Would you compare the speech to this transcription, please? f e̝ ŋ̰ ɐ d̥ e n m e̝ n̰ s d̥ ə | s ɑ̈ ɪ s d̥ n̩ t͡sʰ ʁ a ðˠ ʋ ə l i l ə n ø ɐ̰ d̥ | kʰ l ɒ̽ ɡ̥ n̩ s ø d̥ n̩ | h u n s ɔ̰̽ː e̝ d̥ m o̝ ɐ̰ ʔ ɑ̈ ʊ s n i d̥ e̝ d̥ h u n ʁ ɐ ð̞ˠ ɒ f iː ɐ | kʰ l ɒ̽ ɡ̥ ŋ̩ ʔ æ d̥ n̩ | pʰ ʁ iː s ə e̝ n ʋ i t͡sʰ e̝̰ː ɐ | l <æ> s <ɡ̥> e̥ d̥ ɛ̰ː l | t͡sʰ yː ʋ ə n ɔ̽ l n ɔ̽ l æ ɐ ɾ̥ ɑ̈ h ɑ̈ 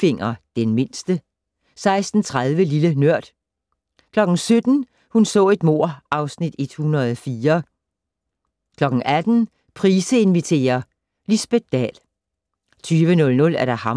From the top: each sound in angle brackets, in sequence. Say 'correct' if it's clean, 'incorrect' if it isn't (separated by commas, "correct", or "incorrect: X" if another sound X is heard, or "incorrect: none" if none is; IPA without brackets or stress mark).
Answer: incorrect: i, incorrect: b̥